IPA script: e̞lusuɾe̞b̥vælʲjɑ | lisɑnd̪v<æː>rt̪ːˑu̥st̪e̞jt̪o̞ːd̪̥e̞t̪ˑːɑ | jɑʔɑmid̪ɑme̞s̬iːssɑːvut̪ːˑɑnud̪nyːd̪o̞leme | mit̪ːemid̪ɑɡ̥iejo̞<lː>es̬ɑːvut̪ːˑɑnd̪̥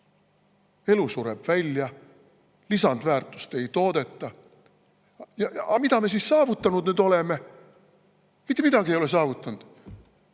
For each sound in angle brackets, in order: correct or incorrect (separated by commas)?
correct, incorrect